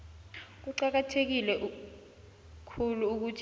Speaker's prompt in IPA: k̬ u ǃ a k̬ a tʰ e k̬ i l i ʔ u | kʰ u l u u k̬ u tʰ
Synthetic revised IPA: k̬ u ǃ a k̬ a tʰ e k̬ i l ɛ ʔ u | kʰ u l u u k̬ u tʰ